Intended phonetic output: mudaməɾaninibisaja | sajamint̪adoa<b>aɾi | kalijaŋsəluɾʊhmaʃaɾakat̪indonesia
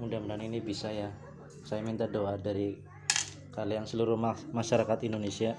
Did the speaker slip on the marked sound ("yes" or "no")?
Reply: yes